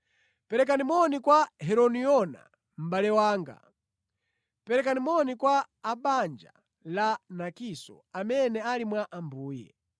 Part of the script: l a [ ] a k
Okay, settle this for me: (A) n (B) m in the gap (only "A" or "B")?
A